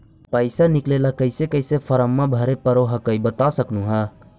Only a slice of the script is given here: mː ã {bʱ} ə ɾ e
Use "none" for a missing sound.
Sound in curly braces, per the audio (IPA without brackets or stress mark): bʱ